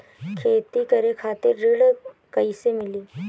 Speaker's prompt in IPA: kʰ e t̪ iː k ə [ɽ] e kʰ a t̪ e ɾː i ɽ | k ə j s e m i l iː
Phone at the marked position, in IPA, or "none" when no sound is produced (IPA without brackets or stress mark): ɾ